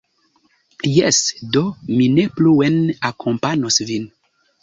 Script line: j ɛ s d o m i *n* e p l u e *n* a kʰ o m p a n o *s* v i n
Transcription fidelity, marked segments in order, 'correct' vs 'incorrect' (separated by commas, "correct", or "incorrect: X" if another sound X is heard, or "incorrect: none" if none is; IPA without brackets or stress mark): correct, correct, correct